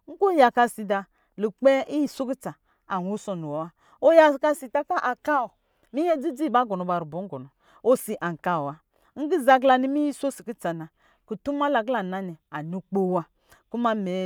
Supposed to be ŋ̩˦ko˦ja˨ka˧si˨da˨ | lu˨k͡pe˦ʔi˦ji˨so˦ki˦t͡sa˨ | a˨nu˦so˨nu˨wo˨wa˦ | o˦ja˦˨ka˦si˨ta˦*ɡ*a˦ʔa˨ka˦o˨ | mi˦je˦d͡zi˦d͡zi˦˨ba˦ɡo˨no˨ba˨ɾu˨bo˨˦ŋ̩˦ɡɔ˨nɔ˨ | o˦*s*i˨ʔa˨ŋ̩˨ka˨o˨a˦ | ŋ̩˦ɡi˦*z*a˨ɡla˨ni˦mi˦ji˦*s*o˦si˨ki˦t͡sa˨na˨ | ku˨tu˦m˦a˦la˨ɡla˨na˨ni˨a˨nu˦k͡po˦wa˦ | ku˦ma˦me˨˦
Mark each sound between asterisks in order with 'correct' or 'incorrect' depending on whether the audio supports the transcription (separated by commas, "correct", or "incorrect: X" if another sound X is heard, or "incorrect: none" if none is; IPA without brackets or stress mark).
incorrect: k, correct, correct, correct